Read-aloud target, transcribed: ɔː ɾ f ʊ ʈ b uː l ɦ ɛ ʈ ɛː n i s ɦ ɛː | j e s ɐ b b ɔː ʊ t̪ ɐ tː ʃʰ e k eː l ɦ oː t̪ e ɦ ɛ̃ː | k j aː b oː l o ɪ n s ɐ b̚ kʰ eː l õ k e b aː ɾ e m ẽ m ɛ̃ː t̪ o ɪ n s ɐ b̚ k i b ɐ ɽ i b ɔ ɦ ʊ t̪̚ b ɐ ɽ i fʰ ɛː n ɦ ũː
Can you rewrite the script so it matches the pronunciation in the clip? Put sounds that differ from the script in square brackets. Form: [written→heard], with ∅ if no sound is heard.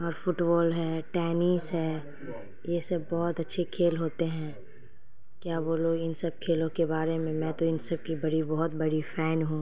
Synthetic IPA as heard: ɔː ɾ f ʊ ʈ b [uː→ɔː] l ɦ ɛ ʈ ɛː n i s ɦ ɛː | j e s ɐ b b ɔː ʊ t̪ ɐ tː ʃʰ e [k→kʰ] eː l ɦ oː t̪ e ɦ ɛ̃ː | k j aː b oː l o ɪ n s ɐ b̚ kʰ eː l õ k e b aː ɾ e m ẽ m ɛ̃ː t̪ o ɪ n s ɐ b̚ k i b ɐ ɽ i b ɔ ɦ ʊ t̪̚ b ɐ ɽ i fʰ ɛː n ɦ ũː

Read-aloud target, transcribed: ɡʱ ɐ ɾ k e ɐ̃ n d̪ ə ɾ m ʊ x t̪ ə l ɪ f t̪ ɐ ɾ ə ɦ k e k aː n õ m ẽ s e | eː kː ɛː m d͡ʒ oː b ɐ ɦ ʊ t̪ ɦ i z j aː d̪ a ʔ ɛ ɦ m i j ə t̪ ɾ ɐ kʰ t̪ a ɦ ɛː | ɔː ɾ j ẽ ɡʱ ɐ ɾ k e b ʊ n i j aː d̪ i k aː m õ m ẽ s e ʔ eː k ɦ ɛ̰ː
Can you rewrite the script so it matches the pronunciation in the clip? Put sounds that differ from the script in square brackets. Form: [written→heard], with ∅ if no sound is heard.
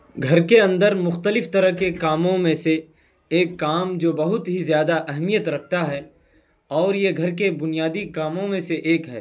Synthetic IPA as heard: ɡʱ ɐ ɾ k e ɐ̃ n d̪ ə ɾ m ʊ x t̪ ə l ɪ f t̪ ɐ ɾ ə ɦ k e k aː [n→m] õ m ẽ s e | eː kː [ɛː→aː] m d͡ʒ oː b ɐ ɦ ʊ t̪ ɦ i z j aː d̪ a ʔ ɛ ɦ m i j ə t̪ ɾ ɐ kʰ t̪ a ɦ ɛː | ɔː ɾ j [ẽ→e] ɡʱ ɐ ɾ k e b ʊ n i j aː d̪ i k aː m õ m ẽ s e ʔ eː k ɦ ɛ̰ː

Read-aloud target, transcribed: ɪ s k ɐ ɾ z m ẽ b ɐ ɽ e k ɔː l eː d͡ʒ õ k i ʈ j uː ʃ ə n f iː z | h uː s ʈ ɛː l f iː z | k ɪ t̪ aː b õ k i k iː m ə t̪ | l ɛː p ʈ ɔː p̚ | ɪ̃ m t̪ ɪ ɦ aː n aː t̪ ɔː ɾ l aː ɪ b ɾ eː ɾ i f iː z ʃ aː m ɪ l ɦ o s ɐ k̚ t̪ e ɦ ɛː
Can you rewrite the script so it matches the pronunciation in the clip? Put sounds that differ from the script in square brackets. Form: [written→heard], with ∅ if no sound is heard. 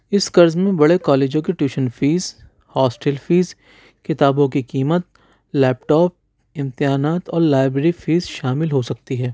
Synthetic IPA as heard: ɪ s k ɐ ɾ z m ẽ b ɐ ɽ e k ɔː l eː d͡ʒ õ k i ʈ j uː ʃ ə n f iː z | h [uː→ɔː] s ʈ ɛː l f iː z | k ɪ t̪ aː b õ k i k iː m ə t̪ | l ɛː p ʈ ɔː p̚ | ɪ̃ m t̪ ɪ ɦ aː n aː t̪ ɔː ɾ l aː ɪ b ɾ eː ɾ i f iː z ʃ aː m ɪ l ɦ o s ɐ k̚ t̪ [e→i] ɦ ɛː

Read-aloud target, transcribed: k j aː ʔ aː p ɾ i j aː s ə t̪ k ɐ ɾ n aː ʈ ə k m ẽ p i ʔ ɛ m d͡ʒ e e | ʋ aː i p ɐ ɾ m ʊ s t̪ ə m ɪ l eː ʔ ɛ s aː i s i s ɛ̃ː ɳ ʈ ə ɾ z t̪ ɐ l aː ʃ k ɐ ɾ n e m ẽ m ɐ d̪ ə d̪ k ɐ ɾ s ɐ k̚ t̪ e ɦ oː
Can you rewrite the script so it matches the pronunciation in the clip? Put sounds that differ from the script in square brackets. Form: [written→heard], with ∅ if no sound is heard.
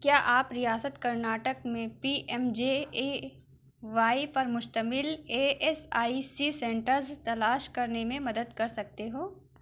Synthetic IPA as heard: k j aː ʔ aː p ɾ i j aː s ə t̪ k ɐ ɾ n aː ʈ ə k m ẽ p i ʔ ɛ m d͡ʒ e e | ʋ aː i p ɐ ɾ m ʊ [s→ʃ] t̪ ə m ɪ l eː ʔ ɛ s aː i s i s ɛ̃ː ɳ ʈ ə ɾ z t̪ ɐ l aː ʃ k ɐ ɾ n e m ẽ m ɐ d̪ ə d̪ k ɐ ɾ s ɐ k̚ t̪ e ɦ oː

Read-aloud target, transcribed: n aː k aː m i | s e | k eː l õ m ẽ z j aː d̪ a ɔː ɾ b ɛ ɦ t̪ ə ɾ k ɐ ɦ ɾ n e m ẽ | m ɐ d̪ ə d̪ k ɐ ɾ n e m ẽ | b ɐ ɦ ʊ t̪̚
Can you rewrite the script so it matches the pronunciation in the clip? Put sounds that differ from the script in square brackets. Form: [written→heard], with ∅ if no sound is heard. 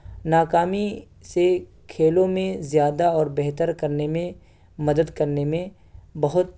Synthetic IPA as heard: n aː k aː m i | s e | [k→kʰ] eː l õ m ẽ z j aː d̪ a ɔː ɾ b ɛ ɦ t̪ ə ɾ k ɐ [ɦ→∅] ɾ n e m ẽ | m ɐ d̪ ə d̪ k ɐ ɾ n e m ẽ | b ɐ ɦ ʊ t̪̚

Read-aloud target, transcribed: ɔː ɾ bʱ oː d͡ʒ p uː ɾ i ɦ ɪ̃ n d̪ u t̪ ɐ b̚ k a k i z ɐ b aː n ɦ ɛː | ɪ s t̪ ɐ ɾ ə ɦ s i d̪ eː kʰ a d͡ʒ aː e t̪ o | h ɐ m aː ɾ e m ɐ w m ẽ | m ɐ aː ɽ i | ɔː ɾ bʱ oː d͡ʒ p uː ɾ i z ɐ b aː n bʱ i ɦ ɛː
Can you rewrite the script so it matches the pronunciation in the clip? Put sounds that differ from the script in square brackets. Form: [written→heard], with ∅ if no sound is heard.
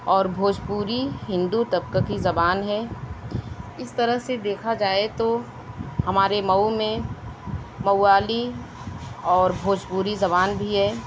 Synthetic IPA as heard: ɔː ɾ bʱ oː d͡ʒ p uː ɾ i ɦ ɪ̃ n d̪ u t̪ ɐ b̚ k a k i z ɐ b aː n ɦ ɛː | ɪ s t̪ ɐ ɾ ə ɦ s [i→e] d̪ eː kʰ a d͡ʒ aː e t̪ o | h ɐ m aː ɾ e m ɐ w m ẽ | m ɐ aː [ɽ→l] i | ɔː ɾ bʱ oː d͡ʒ p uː ɾ i z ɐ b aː n bʱ i ɦ ɛː

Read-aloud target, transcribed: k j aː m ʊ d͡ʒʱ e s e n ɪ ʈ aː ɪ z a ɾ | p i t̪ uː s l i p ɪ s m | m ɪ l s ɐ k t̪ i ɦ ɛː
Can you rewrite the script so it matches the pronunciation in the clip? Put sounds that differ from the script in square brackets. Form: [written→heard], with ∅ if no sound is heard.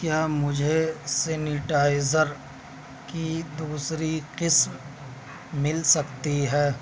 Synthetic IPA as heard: k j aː m ʊ d͡ʒʱ e s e n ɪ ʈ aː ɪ z [a→ə] ɾ | [p→k] i [t̪→d̪] uː s [l→ɾ] i [p→q] ɪ s m | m ɪ l s ɐ k t̪ i ɦ ɛː

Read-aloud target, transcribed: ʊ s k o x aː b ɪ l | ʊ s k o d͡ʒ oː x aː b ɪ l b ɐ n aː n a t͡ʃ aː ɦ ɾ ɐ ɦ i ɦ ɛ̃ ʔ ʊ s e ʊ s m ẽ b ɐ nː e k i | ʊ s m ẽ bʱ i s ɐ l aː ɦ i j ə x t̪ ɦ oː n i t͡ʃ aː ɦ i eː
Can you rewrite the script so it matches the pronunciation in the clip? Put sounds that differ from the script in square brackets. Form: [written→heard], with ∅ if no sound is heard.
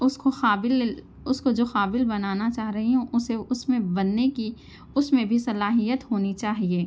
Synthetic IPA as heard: ʊ s k o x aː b ɪ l | ʊ s k o d͡ʒ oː x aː b ɪ l b ɐ n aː n a t͡ʃ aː ɦ ɾ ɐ ɦ i ɦ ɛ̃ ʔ ʊ s e ʊ s m ẽ b ɐ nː e k i | ʊ s m ẽ bʱ i s ɐ l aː ɦ i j ə [x→∅] t̪ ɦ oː n i t͡ʃ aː ɦ i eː

